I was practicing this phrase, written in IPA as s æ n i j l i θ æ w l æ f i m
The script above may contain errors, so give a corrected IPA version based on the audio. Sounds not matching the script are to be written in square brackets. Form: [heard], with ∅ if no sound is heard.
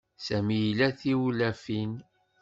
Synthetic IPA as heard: s æ [m] i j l [æ] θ [i] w l æ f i [n]